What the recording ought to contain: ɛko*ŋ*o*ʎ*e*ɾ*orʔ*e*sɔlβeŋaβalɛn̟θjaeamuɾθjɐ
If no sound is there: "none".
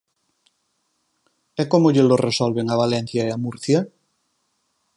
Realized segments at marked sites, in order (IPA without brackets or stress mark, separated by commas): m, ʎ, l, e